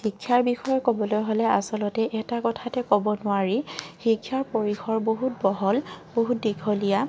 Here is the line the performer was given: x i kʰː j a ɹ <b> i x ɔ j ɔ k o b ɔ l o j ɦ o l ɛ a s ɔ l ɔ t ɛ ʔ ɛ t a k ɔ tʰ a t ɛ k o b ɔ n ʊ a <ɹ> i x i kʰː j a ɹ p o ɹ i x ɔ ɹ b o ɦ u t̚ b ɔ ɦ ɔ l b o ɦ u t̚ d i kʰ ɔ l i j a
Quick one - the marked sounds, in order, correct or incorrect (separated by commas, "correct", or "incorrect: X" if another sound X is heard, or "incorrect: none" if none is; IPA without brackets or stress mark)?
correct, correct